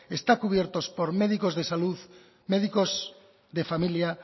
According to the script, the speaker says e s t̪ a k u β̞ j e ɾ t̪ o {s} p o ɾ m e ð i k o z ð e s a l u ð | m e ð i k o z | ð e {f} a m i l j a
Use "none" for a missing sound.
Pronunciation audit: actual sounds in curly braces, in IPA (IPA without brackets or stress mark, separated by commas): s, f